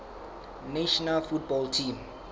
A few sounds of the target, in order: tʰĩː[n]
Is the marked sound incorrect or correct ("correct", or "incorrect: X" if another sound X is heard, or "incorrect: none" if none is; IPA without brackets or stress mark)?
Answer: incorrect: m